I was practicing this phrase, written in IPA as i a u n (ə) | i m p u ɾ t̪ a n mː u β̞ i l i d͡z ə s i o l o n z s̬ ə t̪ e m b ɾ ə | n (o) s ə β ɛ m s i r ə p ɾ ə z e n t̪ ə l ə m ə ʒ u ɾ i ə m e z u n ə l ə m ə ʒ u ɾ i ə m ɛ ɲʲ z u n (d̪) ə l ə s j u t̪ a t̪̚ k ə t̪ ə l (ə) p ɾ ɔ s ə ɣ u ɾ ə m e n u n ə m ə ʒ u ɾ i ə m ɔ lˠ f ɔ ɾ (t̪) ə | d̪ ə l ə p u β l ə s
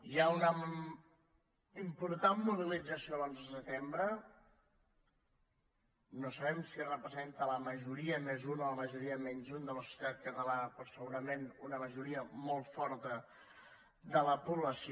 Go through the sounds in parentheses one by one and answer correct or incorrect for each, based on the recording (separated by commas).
correct, correct, correct, incorrect, correct